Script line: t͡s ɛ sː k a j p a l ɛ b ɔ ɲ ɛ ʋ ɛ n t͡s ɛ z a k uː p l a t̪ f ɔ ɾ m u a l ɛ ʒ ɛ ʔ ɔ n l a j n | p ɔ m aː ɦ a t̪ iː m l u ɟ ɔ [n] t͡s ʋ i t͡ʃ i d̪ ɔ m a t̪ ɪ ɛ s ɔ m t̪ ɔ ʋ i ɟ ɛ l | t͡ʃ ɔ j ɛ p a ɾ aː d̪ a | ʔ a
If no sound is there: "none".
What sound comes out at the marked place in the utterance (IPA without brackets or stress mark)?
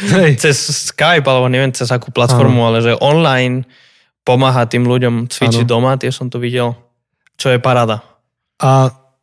m